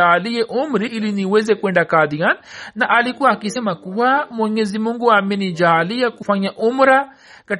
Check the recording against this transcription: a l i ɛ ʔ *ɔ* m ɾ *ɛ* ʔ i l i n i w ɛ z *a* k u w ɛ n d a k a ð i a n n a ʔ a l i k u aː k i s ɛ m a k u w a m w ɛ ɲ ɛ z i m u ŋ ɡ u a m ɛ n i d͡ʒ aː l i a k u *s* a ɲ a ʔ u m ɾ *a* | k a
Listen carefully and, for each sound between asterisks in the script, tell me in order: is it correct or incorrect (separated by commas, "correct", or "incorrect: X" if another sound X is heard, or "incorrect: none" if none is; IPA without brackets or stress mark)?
incorrect: u, incorrect: i, incorrect: ɛ, incorrect: f, correct